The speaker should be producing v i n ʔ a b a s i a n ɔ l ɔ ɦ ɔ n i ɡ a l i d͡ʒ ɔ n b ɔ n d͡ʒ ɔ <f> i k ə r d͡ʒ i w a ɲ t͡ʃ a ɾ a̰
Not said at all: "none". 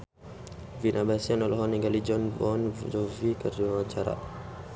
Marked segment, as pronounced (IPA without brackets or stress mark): v